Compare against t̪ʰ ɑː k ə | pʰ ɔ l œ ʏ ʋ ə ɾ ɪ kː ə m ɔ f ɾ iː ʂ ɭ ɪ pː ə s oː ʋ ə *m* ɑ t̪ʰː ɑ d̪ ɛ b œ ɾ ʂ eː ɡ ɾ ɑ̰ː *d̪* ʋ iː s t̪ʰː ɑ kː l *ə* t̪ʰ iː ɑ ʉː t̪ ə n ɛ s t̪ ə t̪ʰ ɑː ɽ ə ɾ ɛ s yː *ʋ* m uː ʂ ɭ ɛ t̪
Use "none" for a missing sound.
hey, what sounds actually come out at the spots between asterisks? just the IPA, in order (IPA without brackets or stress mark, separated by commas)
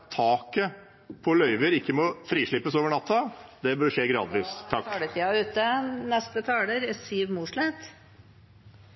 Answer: ɳ, d̪, ə, ʋ